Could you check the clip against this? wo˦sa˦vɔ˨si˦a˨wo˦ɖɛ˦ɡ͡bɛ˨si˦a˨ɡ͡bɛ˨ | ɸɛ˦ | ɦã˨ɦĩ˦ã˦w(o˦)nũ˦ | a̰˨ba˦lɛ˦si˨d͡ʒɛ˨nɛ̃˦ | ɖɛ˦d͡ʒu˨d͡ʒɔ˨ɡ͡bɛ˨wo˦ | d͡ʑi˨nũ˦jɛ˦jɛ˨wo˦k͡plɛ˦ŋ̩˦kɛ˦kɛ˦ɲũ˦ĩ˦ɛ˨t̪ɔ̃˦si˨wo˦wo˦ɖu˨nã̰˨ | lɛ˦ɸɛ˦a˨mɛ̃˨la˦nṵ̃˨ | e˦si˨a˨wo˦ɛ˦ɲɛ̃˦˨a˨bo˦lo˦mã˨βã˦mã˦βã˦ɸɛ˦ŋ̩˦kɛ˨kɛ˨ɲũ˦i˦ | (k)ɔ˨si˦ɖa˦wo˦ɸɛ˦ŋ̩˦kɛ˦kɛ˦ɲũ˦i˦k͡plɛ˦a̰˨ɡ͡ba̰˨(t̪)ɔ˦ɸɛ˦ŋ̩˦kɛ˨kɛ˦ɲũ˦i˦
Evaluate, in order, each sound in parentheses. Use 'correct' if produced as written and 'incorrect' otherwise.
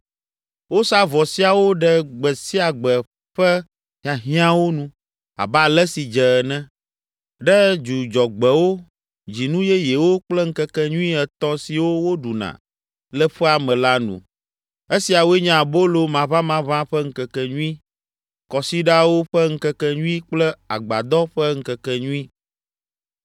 correct, correct, incorrect

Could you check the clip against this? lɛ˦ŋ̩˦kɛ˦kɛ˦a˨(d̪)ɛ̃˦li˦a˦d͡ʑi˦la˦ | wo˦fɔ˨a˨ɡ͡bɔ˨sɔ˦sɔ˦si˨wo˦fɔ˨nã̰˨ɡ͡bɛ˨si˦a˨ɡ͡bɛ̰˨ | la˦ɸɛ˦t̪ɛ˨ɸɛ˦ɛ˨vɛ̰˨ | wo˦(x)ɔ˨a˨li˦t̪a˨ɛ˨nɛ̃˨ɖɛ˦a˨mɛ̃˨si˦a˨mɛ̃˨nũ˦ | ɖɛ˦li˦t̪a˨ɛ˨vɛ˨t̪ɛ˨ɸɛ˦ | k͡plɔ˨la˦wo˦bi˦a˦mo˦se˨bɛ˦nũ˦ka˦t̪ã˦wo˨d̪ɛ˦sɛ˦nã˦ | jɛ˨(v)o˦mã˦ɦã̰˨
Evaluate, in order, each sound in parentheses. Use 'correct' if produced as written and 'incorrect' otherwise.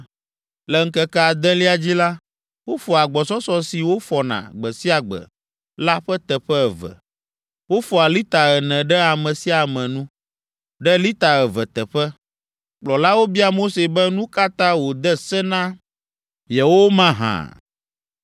correct, incorrect, incorrect

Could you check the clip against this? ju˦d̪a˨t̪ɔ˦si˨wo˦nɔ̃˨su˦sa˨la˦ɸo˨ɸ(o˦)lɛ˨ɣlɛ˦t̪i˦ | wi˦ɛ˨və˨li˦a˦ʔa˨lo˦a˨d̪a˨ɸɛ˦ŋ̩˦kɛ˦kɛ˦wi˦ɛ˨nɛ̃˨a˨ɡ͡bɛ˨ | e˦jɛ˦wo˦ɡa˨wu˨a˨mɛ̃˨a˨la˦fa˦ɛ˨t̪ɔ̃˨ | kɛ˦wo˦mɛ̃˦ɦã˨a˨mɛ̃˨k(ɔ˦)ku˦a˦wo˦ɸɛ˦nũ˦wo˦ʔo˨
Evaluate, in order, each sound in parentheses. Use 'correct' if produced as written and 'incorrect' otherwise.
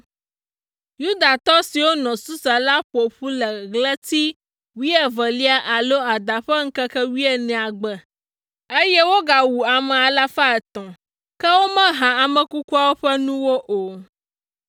incorrect, incorrect

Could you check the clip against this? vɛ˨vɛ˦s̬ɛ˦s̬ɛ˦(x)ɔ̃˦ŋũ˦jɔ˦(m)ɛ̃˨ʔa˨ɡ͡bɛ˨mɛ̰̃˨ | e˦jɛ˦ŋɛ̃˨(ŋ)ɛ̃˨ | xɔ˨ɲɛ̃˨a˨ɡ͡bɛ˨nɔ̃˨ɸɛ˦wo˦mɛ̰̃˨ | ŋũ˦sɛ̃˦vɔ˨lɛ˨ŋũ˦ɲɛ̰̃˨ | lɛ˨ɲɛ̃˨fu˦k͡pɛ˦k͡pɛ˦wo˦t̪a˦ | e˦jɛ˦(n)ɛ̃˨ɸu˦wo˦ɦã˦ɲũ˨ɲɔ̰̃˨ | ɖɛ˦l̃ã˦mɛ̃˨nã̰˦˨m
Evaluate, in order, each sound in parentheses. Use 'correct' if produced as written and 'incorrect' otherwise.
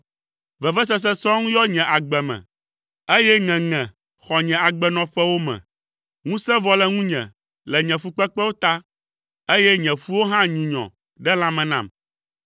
incorrect, incorrect, correct, incorrect

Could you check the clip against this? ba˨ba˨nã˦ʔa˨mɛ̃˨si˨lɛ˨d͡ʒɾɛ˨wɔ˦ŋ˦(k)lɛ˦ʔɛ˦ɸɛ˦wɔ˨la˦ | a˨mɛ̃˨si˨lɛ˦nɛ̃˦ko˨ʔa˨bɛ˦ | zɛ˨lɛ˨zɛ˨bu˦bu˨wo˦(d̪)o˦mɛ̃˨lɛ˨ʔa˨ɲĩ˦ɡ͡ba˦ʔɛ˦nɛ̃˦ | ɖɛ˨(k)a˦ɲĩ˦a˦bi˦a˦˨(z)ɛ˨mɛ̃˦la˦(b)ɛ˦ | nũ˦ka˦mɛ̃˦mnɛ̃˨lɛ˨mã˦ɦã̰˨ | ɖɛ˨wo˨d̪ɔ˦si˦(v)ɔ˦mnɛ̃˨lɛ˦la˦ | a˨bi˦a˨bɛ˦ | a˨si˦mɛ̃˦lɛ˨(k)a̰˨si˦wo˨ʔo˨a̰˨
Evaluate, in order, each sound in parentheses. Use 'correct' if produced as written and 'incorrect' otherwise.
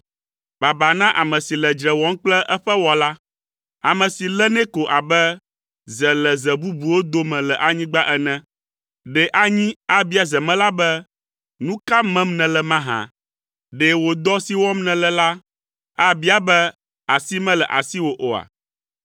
incorrect, correct, incorrect, correct, correct, incorrect, incorrect

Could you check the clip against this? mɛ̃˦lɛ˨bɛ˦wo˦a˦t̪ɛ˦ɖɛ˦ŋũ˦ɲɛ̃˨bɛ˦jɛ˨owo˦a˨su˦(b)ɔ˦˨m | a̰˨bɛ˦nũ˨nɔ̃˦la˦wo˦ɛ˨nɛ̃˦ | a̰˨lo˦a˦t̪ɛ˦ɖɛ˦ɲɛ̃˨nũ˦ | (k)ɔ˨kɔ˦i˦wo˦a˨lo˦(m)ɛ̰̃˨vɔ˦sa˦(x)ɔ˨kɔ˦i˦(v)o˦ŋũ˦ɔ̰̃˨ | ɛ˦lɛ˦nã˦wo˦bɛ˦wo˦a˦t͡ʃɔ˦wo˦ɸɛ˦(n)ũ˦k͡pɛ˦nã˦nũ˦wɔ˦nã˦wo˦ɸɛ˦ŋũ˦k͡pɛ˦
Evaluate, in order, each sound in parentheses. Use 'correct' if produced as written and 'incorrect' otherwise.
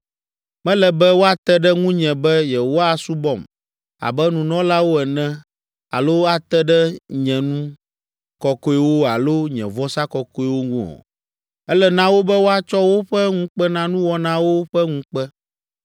correct, correct, incorrect, incorrect, incorrect, incorrect

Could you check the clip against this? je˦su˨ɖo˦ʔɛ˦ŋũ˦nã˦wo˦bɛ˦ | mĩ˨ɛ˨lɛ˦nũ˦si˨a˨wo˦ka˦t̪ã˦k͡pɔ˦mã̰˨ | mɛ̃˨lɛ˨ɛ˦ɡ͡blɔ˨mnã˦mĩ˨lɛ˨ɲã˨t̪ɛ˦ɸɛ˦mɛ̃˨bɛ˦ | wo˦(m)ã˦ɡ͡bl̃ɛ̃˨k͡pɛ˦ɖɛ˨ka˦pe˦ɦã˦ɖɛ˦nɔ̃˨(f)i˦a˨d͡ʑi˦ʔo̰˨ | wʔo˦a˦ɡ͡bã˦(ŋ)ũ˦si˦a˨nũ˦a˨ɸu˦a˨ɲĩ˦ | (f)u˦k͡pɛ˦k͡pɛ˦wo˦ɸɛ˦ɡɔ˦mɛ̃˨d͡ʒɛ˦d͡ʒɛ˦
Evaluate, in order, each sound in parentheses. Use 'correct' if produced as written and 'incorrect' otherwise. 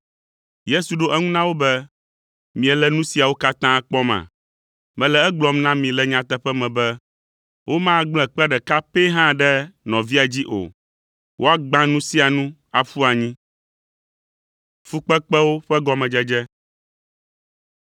correct, incorrect, incorrect, correct

